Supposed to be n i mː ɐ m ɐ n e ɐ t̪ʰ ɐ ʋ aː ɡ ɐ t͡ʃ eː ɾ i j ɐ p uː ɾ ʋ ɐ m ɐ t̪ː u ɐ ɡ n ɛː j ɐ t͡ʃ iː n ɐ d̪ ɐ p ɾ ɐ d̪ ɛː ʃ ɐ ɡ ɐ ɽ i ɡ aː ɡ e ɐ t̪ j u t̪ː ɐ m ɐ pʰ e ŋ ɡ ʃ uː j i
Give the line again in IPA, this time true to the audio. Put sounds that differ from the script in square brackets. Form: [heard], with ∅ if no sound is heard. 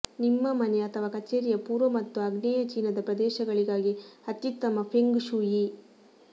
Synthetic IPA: n i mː ɐ m ɐ n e ɐ t̪ʰ ɐ ʋ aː [k] ɐ t͡ʃ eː ɾ i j ɐ p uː ɾ ʋ ɐ m ɐ t̪ː u ɐ ɡ n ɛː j ɐ t͡ʃ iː n ɐ d̪ ɐ p ɾ ɐ d̪ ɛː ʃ ɐ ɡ ɐ [ɭ] i ɡ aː ɡ [i] ɐ t̪ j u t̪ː ɐ m ɐ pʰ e ŋ ɡ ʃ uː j i

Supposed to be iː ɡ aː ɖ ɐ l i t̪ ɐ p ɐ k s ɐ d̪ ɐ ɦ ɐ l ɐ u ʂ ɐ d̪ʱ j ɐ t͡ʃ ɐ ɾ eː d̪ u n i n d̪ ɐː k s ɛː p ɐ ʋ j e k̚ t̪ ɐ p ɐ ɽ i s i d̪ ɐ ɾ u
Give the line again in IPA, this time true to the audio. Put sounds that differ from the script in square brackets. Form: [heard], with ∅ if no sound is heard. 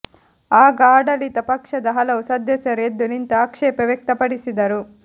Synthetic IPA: [aː] ɡ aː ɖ ɐ l i t̪ ɐ p ɐ k [ʂ] ɐ d̪ ɐ ɦ ɐ l ɐ u [s] ɐ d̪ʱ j ɐ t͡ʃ ɐ ɾ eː d̪ u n i n [t̪] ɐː k [ʂ] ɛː p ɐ ʋ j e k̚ t̪ ɐ p ɐ ɽ i s i d̪ ɐ ɾ u

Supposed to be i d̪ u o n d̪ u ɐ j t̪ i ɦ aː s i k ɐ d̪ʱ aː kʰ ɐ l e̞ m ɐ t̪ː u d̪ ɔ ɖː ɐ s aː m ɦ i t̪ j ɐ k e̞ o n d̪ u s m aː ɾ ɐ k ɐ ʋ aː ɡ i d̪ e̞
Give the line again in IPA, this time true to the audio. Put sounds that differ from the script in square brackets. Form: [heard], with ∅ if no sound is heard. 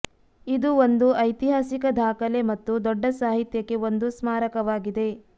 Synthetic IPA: i d̪ u o n d̪ u ɐ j t̪ i ɦ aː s i k ɐ d̪ʱ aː [k] ɐ l e̞ m ɐ t̪ː u d̪ ɔ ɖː ɐ s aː [∅] ɦ i t̪ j ɐ k e̞ o n d̪ u s m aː ɾ ɐ k ɐ ʋ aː ɡ i d̪ e̞

